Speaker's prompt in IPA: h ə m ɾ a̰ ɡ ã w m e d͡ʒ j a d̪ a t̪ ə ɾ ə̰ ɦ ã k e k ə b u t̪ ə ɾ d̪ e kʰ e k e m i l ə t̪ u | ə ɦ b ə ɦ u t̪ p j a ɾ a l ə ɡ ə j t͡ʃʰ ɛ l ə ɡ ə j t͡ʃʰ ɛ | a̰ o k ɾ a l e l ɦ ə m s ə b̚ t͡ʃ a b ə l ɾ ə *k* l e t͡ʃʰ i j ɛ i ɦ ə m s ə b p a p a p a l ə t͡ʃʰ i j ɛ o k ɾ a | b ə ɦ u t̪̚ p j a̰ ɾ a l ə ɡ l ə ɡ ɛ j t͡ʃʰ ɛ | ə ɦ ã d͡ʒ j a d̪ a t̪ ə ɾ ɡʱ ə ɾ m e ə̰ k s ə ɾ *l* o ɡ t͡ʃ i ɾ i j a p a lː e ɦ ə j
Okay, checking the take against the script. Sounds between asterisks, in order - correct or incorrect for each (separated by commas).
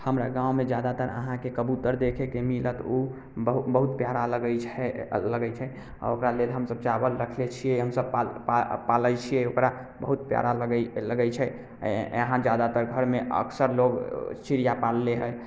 incorrect, correct